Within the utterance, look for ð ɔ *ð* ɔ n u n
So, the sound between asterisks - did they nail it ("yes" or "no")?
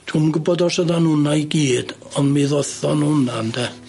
no